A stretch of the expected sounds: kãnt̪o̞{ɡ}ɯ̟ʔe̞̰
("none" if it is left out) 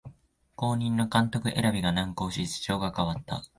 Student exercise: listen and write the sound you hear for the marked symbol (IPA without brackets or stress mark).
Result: k